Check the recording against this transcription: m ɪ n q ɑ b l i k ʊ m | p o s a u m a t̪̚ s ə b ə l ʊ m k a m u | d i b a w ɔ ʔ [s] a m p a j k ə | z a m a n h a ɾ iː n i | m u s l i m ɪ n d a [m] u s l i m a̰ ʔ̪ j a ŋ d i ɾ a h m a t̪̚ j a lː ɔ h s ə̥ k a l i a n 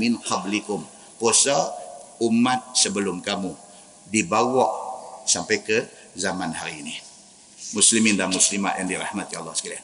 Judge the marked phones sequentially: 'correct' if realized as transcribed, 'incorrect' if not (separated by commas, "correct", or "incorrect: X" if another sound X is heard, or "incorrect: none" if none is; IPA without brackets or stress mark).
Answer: correct, correct